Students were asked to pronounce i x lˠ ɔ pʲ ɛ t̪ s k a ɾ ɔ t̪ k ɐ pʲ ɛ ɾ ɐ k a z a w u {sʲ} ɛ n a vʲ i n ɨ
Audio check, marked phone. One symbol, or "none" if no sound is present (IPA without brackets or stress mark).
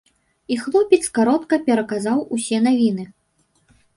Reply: sʲ